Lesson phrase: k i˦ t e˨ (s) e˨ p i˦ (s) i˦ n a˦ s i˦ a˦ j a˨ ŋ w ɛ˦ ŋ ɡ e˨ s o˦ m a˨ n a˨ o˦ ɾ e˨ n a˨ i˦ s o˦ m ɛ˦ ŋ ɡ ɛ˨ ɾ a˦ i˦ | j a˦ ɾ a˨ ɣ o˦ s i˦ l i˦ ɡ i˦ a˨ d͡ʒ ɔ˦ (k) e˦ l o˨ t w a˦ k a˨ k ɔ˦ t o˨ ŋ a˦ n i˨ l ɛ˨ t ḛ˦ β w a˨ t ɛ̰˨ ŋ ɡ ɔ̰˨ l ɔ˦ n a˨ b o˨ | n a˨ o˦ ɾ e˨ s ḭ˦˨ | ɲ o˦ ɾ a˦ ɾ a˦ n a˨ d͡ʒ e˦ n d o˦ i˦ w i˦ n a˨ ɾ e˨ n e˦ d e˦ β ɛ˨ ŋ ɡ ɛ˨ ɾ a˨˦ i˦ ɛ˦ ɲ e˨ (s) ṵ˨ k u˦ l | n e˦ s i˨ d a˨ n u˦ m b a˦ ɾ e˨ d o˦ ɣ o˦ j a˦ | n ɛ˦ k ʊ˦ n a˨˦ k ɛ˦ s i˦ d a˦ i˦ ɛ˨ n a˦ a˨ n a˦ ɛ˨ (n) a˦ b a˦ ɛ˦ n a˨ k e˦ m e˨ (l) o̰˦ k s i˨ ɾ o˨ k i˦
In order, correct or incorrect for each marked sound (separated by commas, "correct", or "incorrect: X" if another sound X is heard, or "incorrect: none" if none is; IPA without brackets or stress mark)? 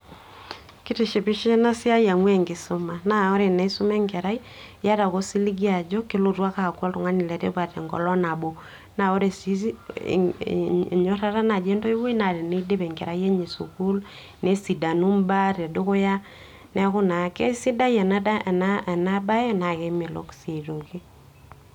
incorrect: ʃ, incorrect: ʃ, correct, correct, correct, correct